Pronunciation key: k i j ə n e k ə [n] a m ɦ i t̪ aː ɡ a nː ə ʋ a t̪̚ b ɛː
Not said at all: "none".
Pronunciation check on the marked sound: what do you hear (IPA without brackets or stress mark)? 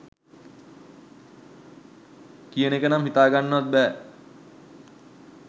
n